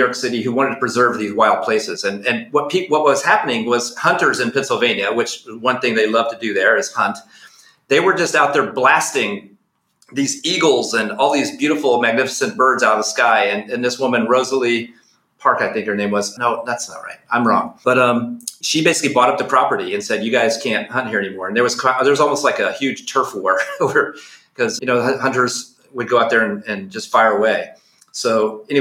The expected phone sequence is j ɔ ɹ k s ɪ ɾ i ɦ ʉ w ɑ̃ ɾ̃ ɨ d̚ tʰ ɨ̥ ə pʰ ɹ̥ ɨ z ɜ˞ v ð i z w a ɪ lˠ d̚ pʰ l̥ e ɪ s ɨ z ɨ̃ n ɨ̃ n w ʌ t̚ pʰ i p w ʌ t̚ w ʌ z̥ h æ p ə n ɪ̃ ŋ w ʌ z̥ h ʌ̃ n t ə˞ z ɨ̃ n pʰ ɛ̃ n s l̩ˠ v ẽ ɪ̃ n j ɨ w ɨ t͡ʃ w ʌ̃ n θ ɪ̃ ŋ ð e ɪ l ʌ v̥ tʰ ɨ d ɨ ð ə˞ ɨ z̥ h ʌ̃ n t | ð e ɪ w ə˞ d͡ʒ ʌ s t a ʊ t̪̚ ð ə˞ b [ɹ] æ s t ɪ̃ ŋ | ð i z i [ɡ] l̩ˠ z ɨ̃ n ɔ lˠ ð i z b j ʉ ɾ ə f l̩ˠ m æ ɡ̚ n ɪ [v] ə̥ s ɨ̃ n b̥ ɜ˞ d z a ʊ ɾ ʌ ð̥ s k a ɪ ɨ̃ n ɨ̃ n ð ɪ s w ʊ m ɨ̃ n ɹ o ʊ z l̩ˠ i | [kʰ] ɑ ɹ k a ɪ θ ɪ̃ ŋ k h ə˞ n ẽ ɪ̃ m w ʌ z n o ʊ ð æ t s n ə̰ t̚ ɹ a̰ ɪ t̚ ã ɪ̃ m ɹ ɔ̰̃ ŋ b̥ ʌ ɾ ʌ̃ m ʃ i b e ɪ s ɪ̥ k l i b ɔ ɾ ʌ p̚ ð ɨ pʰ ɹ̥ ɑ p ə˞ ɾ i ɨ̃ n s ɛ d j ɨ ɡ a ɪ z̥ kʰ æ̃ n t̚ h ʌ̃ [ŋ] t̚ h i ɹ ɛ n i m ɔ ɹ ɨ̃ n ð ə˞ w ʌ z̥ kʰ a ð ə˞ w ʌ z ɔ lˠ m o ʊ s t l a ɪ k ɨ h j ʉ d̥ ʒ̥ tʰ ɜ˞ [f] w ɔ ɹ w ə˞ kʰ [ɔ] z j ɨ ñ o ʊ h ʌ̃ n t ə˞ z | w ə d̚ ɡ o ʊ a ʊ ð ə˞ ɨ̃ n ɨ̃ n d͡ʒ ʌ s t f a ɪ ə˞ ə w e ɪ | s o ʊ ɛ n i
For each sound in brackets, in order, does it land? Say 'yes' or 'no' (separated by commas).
no, yes, no, no, no, yes, no